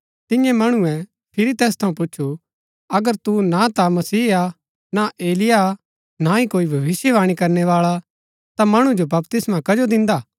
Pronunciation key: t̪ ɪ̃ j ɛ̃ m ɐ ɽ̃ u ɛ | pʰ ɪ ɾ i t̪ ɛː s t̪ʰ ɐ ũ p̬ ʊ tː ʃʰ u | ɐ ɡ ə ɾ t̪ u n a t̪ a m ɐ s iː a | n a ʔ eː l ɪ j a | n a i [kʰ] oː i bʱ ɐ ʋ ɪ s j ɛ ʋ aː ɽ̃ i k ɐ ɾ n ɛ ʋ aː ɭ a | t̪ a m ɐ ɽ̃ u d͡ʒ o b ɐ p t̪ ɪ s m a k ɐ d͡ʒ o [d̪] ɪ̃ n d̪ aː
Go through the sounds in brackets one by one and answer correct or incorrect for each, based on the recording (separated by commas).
incorrect, correct